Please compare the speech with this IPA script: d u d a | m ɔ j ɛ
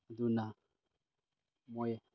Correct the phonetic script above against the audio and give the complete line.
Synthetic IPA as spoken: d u n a | m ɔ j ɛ